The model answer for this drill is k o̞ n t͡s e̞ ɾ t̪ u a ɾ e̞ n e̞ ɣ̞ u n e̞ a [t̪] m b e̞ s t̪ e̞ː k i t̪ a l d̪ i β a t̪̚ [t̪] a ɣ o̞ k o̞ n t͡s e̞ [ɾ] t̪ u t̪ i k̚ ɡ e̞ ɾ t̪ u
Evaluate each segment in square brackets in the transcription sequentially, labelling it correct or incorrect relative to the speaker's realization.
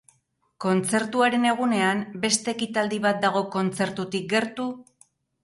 incorrect, incorrect, correct

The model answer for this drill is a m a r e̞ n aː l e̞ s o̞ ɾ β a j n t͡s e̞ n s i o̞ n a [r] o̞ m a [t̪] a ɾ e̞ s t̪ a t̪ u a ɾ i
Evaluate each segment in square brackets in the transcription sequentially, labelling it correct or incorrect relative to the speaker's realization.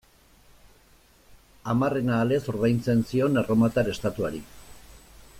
correct, correct

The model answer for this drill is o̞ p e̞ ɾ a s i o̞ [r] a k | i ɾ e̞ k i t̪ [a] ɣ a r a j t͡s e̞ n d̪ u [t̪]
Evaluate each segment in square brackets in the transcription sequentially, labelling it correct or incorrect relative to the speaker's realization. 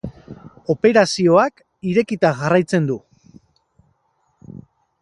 incorrect, correct, incorrect

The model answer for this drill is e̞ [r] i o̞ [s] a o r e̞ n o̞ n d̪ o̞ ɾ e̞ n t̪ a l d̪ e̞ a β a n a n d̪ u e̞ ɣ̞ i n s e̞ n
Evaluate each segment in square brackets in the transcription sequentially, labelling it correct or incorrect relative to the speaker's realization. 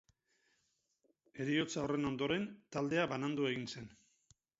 incorrect, incorrect

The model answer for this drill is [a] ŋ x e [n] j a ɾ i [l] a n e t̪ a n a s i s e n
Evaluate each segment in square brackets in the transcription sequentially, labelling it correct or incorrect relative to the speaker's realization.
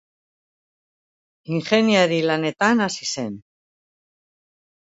incorrect, correct, correct

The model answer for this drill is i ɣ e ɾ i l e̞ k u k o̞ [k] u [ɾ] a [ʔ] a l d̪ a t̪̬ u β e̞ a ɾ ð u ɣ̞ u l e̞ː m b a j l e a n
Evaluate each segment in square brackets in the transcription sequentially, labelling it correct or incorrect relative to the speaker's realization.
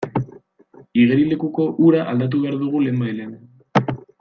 incorrect, correct, correct

